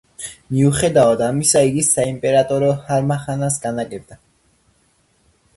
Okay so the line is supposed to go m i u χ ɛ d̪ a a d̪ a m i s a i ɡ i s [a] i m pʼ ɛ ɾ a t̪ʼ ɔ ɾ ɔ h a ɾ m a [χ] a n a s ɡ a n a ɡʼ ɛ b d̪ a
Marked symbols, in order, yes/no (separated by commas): yes, yes